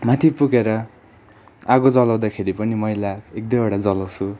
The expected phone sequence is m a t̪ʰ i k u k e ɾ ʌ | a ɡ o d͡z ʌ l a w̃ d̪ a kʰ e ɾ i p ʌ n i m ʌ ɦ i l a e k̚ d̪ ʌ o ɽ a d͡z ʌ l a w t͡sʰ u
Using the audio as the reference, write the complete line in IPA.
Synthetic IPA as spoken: m a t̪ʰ i p u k e ɾ ʌ | a ɡ o d͡z ʌ l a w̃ d̪ a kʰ e ɾ i p ʌ n i m ʌ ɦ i l a e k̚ d̪ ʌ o ɽ a d͡z ʌ l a w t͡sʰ u

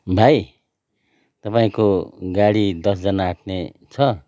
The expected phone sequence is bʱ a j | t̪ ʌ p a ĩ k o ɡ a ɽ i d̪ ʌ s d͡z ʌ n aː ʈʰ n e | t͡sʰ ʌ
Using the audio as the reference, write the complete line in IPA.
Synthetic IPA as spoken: bʱ a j | t̪ ʌ p a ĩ k o ɡ a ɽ i d̪ ʌ s d͡z ʌ n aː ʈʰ n e | t͡sʰ ʌ

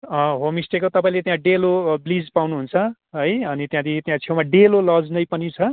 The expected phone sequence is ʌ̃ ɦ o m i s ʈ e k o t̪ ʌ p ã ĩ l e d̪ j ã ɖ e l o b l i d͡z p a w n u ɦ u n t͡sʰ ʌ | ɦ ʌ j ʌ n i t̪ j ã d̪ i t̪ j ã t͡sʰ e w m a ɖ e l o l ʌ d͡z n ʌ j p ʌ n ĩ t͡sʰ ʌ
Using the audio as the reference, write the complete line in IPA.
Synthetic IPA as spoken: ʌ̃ ɦ o m i s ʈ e k o t̪ ʌ p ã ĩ l e t̪ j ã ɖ e l o b l i d͡z p a w n u ɦ u n t͡sʰ ʌ | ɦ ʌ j ʌ n i t̪ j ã d̪ i t̪ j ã t͡sʰ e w m a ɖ e l o l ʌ d͡z n ʌ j p ʌ n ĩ t͡sʰ ʌ

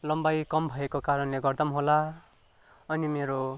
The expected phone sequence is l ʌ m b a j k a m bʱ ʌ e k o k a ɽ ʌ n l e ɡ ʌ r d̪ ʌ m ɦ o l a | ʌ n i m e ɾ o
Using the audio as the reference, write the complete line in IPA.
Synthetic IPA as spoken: l ʌ m b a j k ʌ m bʱ ʌ e k o k a ɾ ʌ n l e ɡ ʌ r d̪ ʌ m ɦ o l a | ʌ n i m e ɾ o

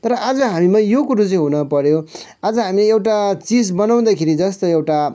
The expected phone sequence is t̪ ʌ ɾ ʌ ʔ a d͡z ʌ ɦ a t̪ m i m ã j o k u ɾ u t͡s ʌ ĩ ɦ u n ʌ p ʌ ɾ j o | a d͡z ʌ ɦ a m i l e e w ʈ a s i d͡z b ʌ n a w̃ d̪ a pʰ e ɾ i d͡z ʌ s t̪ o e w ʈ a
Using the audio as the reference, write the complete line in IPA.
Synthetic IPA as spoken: t̪ ʌ ɾ ʌ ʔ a d͡z ʌ ɦ a m i m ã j o k u ɾ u t͡s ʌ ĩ ɦ u n ʌ p ʌ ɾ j o | a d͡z ʌ ɦ a m i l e e w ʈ a t͡s i d͡z b ʌ n a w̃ d̪ a kʰ e ɾ i d͡z ʌ s t̪ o e w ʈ a

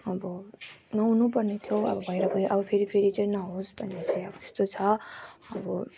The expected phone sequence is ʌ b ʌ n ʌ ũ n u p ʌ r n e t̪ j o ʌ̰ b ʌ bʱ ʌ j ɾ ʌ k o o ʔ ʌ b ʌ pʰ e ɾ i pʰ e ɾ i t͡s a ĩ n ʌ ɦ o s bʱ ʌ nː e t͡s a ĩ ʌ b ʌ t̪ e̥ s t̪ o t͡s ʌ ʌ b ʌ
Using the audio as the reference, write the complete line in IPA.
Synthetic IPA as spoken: ʌ b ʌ n ʌ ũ n u p ʌ r n e t̪ʰ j o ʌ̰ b ʌ bʱ ʌ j ɾ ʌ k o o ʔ ʌ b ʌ pʰ e ɾ i pʰ e ɾ i t͡s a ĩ n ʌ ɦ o s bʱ ʌ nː e t͡s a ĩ ʌ b ʌ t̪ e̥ s t̪ o t͡sʰ ʌ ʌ b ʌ

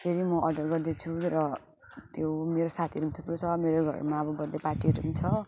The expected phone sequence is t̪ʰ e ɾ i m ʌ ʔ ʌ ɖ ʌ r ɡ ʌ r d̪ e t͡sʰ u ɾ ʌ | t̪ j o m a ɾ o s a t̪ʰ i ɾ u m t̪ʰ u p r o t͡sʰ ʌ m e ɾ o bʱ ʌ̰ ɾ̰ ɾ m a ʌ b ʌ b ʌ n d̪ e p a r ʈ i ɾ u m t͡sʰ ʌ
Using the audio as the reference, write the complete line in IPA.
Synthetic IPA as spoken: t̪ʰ e ɾ i m ʌ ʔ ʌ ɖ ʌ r ɡ ʌ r d̪ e t͡sʰ u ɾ ʌ | t̪ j o m e ɾ o s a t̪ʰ i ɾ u m t̪ʰ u p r o t͡sʰ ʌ m e ɾ o ɡʱ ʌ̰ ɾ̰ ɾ m a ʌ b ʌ b ʌ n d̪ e p a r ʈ i ɾ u m t͡sʰ ʌ

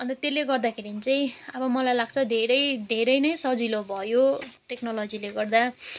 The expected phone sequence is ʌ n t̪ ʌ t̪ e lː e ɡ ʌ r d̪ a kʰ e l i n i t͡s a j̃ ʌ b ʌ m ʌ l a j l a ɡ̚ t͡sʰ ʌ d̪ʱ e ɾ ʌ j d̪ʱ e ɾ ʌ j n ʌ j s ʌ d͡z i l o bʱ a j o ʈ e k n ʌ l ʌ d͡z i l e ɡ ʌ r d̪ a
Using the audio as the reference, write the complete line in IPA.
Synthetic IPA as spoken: ʌ n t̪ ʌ t̪ e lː e ɡ ʌ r d̪ a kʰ e ɾ i n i t͡s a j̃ ʌ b ʌ m ʌ l a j l a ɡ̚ t͡sʰ ʌ d̪ʱ e ɾ ʌ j d̪ʱ e ɾ ʌ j n ʌ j s ʌ d͡z i l o bʱ ʌ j o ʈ e k n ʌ l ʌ d͡z i l e ɡ ʌ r d̪ a

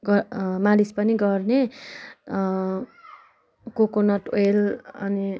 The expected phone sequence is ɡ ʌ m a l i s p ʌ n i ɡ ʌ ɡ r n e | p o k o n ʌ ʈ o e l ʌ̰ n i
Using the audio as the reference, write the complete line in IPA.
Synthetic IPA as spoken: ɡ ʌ m a l i s p ʌ n i ɡ ʌ r n e | k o k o n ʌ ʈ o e l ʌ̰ n i

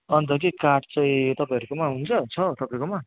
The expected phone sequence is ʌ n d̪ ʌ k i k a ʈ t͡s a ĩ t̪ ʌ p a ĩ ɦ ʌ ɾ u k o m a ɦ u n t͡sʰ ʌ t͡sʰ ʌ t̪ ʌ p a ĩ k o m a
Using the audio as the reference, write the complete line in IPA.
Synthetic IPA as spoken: ʌ n t̪ ʌ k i k a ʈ t͡s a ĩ t̪ ʌ p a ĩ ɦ ʌ ɾ u k o m a ɦ u n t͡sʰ ʌ t͡sʰ ʌ t̪ ʌ p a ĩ k o m a

